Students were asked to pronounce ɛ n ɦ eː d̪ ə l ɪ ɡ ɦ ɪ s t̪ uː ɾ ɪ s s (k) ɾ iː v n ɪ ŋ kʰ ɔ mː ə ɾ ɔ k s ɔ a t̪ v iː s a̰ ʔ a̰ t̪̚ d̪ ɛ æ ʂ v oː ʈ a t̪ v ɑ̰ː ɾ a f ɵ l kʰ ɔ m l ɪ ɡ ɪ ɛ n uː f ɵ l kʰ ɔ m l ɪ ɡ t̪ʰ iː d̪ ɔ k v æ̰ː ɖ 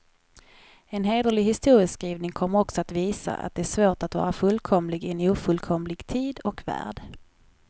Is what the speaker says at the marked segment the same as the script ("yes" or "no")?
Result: yes